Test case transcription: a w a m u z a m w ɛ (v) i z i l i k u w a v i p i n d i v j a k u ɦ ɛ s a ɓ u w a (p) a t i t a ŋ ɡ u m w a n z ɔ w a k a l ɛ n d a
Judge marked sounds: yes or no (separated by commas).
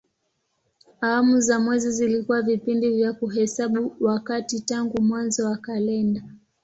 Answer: no, no